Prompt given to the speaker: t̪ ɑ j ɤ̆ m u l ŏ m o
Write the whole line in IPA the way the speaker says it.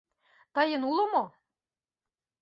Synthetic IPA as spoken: t̪ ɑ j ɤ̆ n u l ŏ m o